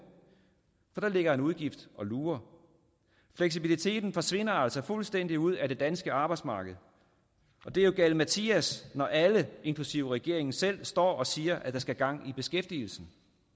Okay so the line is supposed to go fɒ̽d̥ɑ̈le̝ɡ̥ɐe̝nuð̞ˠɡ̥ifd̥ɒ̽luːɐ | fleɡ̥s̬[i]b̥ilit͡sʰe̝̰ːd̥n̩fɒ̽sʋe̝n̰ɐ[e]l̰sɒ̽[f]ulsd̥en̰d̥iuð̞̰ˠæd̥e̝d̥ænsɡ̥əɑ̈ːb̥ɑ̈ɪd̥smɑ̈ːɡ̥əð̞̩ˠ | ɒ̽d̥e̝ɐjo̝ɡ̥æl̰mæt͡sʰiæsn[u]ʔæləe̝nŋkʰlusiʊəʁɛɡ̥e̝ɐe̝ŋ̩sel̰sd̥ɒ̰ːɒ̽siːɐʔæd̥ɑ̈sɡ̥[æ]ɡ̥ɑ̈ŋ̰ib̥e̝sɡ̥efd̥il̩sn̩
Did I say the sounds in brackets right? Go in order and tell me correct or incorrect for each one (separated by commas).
correct, incorrect, correct, incorrect, correct